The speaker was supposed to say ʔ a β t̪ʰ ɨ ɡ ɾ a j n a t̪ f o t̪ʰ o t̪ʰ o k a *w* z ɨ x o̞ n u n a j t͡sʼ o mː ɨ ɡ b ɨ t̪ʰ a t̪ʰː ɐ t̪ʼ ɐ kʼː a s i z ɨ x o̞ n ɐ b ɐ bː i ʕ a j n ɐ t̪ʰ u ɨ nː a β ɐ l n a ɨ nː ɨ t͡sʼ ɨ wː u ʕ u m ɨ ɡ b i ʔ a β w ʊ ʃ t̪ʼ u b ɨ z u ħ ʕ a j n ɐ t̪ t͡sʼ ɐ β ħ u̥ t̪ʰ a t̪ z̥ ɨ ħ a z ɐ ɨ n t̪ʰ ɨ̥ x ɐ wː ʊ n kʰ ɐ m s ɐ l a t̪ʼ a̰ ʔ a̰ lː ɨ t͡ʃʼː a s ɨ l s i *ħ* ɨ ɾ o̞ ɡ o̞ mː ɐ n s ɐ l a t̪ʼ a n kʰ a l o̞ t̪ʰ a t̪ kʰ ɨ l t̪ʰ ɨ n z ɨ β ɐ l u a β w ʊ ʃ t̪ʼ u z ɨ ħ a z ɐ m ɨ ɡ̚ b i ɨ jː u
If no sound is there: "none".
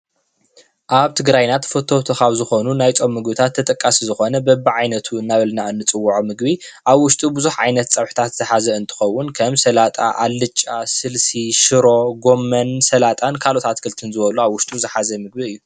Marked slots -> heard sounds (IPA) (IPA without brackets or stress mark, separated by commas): β, ʃ